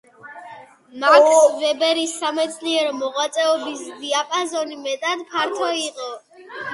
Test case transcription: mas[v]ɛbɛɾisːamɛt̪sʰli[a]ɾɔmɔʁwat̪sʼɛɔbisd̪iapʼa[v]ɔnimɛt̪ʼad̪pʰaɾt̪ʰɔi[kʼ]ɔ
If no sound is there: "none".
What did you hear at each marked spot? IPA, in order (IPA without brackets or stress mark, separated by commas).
v, ɛ, z, qʼ